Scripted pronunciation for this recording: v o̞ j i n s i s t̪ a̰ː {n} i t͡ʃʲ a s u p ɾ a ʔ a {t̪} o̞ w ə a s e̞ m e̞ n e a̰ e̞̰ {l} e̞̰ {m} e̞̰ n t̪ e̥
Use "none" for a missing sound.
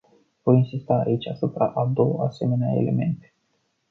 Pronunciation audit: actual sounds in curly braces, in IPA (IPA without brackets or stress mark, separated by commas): none, d̪, l, m